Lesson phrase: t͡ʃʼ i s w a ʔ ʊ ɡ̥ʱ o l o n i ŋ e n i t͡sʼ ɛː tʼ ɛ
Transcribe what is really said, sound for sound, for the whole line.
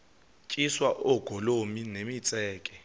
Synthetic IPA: t͡ʃʼ i s w a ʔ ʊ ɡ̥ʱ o l o m i n e m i t͡sʼ ɛː kʼ ɛ